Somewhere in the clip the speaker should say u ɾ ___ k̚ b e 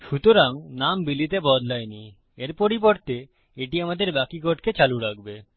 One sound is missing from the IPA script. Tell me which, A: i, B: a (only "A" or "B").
B